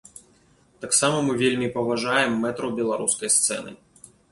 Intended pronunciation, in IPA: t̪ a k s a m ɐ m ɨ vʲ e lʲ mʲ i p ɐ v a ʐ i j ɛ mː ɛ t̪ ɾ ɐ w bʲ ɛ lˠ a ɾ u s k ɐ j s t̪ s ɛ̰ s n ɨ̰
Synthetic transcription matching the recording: t̪ a k s a m ɐ m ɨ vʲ e lʲ mʲ i p ɐ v a ʐ a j ɛ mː ɛ t̪ ɾ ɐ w bʲ ɛ lˠ a ɾ u s k ɐ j s t̪ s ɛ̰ n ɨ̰